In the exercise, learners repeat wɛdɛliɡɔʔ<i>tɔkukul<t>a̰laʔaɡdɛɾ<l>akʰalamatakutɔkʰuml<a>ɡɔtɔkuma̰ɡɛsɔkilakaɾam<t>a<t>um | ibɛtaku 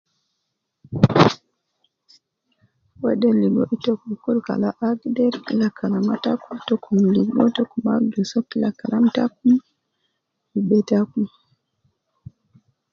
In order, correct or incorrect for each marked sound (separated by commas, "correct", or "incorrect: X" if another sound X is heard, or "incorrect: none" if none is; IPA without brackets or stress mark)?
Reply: correct, incorrect: k, correct, incorrect: i, correct, incorrect: k